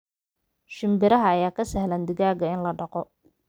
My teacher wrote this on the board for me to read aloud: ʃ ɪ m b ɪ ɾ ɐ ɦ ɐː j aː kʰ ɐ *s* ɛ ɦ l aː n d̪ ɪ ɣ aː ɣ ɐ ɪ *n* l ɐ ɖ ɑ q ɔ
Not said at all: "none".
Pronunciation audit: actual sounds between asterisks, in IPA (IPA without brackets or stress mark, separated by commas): s, n